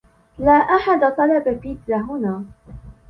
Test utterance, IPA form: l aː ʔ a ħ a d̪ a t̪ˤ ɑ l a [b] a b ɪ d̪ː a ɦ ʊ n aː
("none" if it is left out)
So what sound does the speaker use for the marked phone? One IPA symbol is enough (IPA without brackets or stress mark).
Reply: b